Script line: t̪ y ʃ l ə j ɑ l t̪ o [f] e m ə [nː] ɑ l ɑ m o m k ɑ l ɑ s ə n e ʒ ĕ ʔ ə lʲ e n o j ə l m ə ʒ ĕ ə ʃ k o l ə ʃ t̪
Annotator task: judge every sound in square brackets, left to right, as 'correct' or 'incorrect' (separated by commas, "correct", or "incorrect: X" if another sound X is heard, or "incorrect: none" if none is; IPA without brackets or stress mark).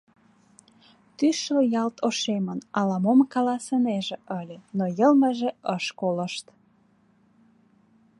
incorrect: ʃ, incorrect: n